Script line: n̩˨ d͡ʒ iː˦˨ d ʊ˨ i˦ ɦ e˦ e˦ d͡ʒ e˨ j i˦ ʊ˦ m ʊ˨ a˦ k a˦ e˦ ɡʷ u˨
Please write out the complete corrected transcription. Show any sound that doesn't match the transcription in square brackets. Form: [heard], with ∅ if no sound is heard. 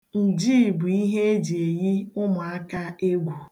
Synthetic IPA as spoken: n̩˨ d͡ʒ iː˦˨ [b] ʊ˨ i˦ ɦ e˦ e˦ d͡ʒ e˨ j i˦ ʊ˦ m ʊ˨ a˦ k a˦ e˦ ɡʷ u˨